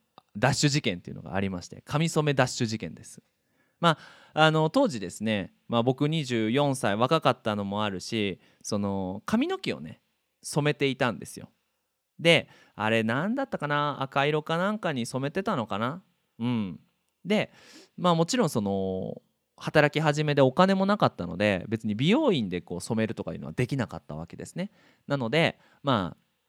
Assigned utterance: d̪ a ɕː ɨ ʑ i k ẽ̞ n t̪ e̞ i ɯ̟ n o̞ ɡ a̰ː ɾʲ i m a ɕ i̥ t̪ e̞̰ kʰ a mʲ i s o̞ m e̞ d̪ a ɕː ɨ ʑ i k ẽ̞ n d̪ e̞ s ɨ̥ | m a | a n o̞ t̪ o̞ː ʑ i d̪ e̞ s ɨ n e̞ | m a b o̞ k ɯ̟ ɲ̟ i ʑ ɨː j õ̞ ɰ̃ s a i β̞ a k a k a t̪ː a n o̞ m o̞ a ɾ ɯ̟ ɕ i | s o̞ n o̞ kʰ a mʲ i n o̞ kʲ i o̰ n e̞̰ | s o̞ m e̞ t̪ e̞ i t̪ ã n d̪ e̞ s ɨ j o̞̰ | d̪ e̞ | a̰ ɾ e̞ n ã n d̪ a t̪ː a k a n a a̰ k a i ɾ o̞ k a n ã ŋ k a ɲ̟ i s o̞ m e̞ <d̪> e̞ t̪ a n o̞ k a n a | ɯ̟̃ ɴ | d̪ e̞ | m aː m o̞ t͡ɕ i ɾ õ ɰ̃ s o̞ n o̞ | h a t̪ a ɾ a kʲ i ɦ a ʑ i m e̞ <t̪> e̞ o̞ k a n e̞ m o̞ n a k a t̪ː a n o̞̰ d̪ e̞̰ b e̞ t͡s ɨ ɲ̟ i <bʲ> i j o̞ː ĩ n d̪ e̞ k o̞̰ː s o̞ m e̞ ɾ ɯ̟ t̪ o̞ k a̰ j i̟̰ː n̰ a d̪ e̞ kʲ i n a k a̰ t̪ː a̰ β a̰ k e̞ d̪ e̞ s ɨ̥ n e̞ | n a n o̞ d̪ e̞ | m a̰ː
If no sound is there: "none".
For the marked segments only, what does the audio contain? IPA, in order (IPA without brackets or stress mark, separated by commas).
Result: t̪, d̪, bʲ